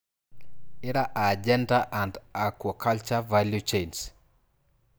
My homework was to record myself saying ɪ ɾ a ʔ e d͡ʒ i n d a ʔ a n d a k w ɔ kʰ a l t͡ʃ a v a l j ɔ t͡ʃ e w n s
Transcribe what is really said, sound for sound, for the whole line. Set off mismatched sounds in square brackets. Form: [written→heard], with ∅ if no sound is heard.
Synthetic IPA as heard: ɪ ɾ a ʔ [e→a] d͡ʒ [i→ɛ] n d a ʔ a n d a k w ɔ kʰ a l t͡ʃ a v a l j [ɔ→u] t͡ʃ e [w→∅] n s